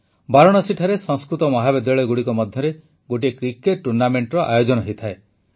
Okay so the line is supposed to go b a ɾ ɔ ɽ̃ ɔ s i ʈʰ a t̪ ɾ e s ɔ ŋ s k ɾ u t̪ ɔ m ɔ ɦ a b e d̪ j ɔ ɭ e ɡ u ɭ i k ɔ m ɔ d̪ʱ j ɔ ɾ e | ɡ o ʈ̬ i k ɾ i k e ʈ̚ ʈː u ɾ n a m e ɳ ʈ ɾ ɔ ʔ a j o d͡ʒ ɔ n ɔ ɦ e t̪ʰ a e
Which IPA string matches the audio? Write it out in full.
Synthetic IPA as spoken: b a ɾ ɔ ɽ̃ ɔ s i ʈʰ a ɾ e s ɔ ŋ s k ɾ u t̪ ɔ m ɔ ɦ a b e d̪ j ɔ ɭ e ɡ u ɽ i k ɔ m ɔ d̪ʱ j ɔ ɾ e | ɡ o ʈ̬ i k ɾ i k e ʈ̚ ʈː u ɾ n a m e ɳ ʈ ɾ ɔ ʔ a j o d͡ʒ ɔ n ɔ ɦ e t̪ʰ a e